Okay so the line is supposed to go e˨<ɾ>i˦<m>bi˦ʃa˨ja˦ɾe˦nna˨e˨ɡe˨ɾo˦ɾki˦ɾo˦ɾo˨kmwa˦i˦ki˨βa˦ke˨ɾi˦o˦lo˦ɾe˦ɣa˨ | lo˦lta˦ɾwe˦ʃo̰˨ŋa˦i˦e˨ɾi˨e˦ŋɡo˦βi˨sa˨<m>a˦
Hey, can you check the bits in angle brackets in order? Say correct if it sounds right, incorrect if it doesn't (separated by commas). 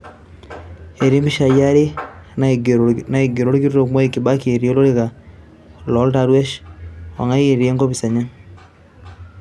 correct, correct, incorrect